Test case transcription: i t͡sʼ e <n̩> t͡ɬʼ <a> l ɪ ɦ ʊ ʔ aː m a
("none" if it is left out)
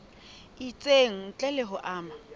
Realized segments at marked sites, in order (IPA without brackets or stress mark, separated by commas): ŋ̩, ɛ